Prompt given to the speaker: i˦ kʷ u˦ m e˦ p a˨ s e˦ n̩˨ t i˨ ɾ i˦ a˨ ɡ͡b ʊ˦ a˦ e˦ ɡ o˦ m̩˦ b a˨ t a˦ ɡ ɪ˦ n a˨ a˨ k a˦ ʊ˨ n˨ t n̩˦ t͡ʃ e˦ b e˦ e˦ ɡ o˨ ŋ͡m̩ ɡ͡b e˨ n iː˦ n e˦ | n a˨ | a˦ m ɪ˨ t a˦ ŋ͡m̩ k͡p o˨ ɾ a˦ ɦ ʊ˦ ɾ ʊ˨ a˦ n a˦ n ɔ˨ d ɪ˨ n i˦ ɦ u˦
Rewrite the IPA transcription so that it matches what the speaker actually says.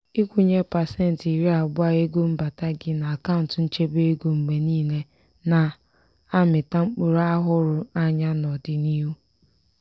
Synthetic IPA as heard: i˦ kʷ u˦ ɲ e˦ p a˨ s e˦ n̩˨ t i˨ ɾ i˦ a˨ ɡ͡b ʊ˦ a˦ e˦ ɡ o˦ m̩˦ b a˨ t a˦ ɡ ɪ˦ n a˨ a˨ k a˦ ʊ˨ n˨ t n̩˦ t͡ʃ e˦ b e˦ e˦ ɡ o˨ ŋ͡m̩ ɡ͡b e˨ n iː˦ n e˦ | n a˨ | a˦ m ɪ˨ t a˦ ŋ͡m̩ k͡p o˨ ɾ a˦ ɦ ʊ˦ ɾ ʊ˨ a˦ ɲ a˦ n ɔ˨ d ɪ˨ n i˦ ɦ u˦

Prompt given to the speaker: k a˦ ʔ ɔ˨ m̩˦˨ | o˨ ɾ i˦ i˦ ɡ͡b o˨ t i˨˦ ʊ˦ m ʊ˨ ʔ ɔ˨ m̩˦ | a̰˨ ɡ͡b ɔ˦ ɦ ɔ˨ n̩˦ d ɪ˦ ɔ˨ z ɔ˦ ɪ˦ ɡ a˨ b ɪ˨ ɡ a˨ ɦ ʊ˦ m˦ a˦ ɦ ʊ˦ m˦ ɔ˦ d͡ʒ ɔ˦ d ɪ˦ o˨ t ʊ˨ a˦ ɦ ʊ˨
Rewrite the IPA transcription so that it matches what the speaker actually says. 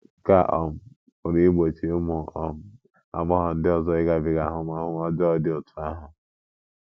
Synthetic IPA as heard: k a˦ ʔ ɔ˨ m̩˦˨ | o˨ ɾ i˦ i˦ ɡ͡b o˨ t͡ʃ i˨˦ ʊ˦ m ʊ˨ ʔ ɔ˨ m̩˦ | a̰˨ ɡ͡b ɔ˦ ɦ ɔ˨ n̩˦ d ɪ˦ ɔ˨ z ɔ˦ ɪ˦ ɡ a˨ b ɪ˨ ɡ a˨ ɦ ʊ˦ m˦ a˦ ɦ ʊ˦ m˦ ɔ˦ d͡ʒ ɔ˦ d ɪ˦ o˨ t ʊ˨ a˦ ɦ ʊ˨

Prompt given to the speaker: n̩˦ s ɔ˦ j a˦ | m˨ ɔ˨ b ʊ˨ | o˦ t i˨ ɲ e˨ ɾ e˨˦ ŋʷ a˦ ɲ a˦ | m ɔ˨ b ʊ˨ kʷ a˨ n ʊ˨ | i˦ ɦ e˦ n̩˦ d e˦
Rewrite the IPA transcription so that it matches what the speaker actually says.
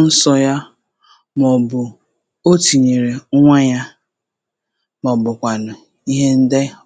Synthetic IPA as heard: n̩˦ s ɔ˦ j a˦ | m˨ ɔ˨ b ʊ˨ | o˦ t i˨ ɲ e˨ ɾ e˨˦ ŋʷ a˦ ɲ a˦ | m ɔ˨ b ʊ˨ kʷ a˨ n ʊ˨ | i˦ ɦ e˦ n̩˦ d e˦

